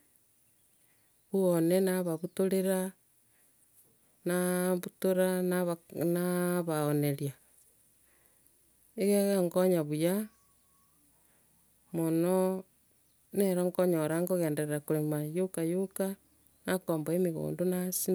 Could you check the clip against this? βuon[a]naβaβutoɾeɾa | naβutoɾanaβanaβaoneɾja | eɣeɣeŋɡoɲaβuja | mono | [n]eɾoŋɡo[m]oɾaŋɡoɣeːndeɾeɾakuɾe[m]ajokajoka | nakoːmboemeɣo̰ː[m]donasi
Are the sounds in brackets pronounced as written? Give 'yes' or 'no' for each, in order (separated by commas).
no, yes, no, yes, no